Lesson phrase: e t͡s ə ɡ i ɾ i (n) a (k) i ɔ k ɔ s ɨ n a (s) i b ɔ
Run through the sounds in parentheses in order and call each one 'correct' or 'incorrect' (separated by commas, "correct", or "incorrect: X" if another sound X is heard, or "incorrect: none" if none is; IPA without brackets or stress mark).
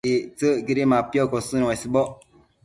incorrect: m, incorrect: p, correct